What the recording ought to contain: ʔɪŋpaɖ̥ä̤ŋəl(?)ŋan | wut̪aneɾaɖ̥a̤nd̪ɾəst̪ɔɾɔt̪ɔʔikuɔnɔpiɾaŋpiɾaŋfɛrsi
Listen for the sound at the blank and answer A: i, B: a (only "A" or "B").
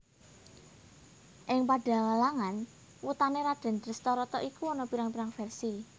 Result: B